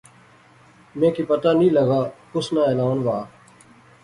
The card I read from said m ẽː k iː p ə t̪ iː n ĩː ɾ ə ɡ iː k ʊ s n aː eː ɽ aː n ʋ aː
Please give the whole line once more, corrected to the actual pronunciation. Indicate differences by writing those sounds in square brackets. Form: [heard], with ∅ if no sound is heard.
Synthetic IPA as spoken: m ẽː k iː p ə t̪ [aː] n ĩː [l] ə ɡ [aː] k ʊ s n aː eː [l] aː n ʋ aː